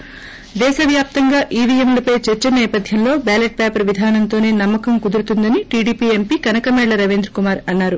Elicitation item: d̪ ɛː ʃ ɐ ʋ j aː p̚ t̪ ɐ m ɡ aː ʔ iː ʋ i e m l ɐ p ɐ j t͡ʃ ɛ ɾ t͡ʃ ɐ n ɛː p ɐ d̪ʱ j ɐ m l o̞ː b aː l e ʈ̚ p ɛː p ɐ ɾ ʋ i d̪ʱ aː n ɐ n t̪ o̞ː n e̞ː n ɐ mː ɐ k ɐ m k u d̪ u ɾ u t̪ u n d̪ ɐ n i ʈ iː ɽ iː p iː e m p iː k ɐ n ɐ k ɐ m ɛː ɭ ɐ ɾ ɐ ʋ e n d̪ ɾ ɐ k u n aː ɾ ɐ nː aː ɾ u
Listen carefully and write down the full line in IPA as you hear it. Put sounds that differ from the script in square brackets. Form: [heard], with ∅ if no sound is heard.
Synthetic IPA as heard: d̪ ɛː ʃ ɐ ʋ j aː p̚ t̪ ɐ [ŋ] ɡ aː ʔ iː ʋ i e m l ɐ p ɐ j t͡ʃ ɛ ɾ t͡ʃ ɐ n ɛː p ɐ d̪ʱ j ɐ m l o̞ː b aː l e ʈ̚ p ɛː p ɐ ɾ ʋ i d̪ʱ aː n ɐ n t̪ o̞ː n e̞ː n ɐ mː ɐ k ɐ m k u d̪ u ɾ u t̪ u n d̪ ɐ n i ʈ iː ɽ iː p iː e m p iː k ɐ n ɐ k ɐ m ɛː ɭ ɐ ɾ ɐ ʋ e n d̪ ɾ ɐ k u [m] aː ɾ ɐ nː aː ɾ u